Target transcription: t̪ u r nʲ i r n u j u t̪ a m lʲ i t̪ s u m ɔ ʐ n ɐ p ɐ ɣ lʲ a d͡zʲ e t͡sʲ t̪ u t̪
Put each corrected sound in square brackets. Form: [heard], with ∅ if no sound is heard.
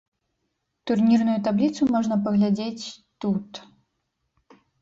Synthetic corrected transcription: t̪ u r nʲ i r n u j u t̪ a [b] lʲ i t̪ s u m ɔ ʐ n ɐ p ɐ ɣ lʲ a d͡zʲ e t͡sʲ t̪ u t̪